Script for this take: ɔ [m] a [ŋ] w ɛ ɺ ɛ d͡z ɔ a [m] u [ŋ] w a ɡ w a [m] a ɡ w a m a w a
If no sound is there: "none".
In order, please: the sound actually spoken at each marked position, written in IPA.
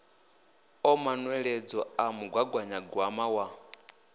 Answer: m, n, m, ɡ, ɲ

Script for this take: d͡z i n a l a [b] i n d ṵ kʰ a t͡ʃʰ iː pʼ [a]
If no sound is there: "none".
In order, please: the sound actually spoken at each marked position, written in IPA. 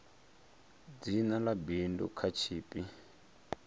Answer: b, i

